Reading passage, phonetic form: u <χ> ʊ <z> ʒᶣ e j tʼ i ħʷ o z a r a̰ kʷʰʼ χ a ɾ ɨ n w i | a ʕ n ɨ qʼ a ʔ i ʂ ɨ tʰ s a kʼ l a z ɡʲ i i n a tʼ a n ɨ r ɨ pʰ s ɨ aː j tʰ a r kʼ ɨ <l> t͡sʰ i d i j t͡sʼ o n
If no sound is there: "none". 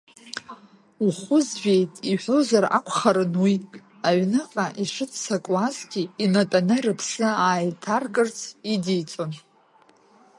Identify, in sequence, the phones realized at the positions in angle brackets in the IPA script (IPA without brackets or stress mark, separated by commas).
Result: χ, z, r